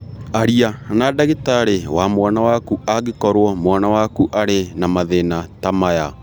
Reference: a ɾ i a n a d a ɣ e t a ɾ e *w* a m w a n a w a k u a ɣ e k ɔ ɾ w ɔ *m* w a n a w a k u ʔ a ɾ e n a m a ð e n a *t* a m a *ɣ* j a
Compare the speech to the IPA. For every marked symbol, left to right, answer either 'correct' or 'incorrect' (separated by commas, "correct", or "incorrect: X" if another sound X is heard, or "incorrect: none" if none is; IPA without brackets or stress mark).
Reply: correct, correct, correct, incorrect: none